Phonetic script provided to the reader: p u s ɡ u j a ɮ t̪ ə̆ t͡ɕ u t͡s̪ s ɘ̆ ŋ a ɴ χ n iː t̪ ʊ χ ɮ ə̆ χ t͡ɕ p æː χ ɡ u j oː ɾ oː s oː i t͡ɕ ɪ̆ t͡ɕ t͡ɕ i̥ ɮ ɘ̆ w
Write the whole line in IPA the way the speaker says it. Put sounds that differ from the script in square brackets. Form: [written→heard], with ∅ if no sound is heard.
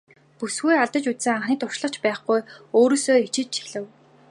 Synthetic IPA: p u s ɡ u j a ɮ t̪ ə̆ t͡ɕ u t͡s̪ s ɘ̆ ŋ a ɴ χ n iː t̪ ʊ [χ→ʃ] ɮ ə̆ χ t͡ɕ p æː χ ɡ u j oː ɾ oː s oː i t͡ɕ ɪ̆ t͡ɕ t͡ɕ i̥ ɮ ɘ̆ w